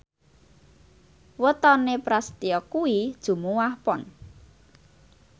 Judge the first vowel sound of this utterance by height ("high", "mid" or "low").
mid